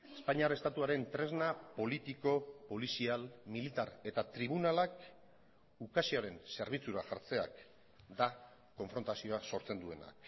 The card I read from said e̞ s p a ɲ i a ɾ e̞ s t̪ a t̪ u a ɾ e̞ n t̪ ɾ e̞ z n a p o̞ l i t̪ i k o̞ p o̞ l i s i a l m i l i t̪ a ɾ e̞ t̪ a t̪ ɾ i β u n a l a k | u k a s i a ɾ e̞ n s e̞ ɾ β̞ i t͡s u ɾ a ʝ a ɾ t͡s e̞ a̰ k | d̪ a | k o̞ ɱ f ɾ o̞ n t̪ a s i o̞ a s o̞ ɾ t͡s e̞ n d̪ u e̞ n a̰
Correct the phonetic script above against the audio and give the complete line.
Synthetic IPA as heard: e̞ s p a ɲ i a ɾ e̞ s t̪ a t̪ u a ɾ e̞ n t̪ ɾ e̞ z n a p o̞ l i t̪ i k o̞ p o̞ l i s i a l m i l i t̪ a ɾ e̞ t̪ a t̪ ɾ i β u n a l a k | u k a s i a ɾ e̞ n s e̞ ɾ β̞ i t͡s u ɾ a ʝ a ɾ t͡s e̞ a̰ k | d̪ a | k o̞ ɱ f ɾ o̞ n t̪ a s i o̞ a s o̞ ɾ t͡s e̞ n d̪ u e̞ n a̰